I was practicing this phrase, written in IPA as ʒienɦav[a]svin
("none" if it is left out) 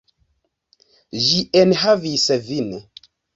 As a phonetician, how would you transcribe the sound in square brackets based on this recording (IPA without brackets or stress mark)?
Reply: i